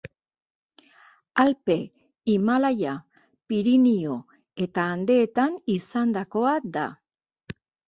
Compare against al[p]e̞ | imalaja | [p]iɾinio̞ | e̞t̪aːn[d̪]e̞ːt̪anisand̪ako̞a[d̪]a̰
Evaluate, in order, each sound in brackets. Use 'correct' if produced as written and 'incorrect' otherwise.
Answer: correct, correct, correct, correct

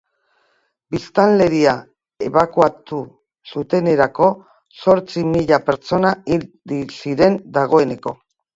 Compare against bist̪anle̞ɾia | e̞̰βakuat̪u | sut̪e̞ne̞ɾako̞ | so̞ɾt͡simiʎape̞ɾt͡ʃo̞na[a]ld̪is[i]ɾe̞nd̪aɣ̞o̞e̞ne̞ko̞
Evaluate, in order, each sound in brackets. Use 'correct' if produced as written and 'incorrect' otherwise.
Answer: incorrect, correct

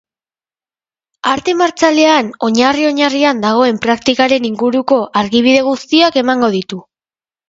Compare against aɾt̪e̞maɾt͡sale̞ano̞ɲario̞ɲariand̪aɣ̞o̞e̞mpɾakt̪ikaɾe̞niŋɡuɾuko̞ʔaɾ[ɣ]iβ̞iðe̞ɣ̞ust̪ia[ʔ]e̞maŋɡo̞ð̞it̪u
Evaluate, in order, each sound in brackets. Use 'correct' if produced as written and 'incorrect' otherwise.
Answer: correct, incorrect

